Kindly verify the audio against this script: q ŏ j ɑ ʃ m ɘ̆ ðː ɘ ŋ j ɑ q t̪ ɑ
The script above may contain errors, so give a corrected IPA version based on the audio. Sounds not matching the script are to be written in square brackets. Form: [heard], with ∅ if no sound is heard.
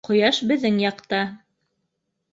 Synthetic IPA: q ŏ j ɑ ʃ [b] ɘ̆ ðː ɘ ŋ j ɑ q t̪ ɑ